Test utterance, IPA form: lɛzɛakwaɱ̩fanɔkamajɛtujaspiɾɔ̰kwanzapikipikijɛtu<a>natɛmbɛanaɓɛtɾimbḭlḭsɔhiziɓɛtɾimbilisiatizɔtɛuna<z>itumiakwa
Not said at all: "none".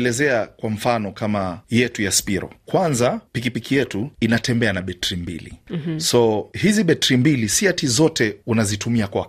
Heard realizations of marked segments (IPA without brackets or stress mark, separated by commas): i, z